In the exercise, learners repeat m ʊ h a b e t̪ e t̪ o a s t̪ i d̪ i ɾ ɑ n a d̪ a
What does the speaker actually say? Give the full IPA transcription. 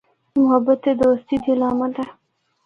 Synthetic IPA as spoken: m ʊ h a b a t̪ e d̪ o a s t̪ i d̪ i l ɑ m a d̪ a